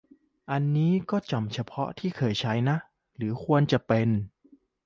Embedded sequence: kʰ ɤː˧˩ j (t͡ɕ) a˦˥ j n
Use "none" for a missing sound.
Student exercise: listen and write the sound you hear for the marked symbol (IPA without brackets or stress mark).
t͡ɕʰ